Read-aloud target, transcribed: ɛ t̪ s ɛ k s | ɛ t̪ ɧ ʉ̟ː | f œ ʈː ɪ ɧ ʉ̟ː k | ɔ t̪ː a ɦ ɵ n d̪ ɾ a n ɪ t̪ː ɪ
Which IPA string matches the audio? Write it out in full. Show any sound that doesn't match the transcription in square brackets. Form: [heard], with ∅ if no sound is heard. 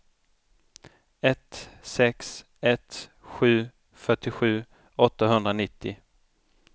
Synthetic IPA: ɛ t̪ s ɛ k s | ɛ t̪ ɧ ʉ̟ː | f œ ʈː ɪ ɧ ʉ̟ː [∅] | ɔ t̪ː a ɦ ɵ n d̪ ɾ a n ɪ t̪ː ɪ